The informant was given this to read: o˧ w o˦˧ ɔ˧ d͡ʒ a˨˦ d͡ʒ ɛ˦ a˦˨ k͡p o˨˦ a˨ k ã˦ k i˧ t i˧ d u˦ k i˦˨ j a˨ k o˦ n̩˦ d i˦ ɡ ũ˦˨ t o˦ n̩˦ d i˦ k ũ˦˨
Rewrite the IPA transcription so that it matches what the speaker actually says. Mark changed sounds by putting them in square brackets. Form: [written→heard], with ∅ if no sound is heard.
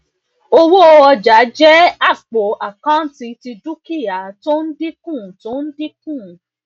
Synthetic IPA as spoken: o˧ w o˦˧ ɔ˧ d͡ʒ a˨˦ d͡ʒ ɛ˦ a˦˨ k͡p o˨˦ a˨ k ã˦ [k→t] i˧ t i˧ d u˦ k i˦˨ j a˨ [k→t] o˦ n̩˦ d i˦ [ɡ→k] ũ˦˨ t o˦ n̩˦ d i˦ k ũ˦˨